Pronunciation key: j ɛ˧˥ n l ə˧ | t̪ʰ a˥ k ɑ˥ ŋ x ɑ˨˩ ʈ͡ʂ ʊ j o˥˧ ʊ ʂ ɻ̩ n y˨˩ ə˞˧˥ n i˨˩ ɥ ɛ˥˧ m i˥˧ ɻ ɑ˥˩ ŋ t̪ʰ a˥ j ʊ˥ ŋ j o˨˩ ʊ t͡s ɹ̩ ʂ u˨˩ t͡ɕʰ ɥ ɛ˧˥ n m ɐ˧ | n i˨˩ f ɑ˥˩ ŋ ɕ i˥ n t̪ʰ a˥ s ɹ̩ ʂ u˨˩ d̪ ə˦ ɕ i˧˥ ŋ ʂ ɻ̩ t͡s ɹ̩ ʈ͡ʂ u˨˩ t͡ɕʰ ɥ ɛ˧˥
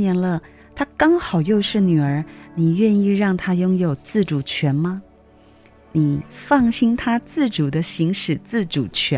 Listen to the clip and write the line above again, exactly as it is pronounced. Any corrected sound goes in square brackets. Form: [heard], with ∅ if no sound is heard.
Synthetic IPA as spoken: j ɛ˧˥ n l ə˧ | t̪ʰ a˥ k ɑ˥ ŋ x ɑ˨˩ [∅] ʊ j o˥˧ ʊ ʂ ɻ̩ n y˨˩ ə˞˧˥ n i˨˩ ɥ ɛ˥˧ [n] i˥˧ ɻ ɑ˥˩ ŋ t̪ʰ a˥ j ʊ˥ ŋ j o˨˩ ʊ t͡s ɹ̩ [ʈ͡ʂ] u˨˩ t͡ɕʰ ɥ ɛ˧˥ n m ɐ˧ | n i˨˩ f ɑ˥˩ ŋ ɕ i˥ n t̪ʰ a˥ [t͡s] ɹ̩ [ʈ͡ʂ] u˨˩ d̪ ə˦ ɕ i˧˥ ŋ ʂ ɻ̩ t͡s ɹ̩ ʈ͡ʂ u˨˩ t͡ɕʰ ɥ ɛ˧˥